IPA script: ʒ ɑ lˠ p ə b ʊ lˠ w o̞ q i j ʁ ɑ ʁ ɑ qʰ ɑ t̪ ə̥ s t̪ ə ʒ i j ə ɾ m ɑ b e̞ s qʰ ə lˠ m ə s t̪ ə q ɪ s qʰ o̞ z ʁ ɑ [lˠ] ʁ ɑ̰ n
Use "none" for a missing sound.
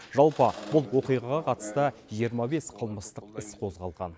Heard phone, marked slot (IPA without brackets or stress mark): lˠ